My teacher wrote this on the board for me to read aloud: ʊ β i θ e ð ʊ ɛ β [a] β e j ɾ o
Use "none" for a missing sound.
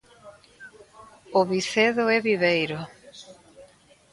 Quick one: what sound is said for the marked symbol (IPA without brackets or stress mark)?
i